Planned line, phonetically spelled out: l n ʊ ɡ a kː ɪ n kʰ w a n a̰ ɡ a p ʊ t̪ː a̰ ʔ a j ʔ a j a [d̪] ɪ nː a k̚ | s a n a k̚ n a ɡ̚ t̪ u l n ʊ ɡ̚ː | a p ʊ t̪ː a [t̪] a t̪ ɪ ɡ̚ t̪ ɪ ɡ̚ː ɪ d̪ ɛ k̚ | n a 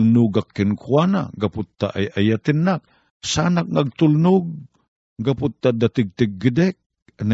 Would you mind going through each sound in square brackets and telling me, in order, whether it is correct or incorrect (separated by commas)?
incorrect, incorrect